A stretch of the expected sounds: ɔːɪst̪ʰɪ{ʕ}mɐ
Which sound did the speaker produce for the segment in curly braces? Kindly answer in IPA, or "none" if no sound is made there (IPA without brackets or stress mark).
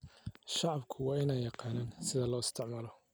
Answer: ʕ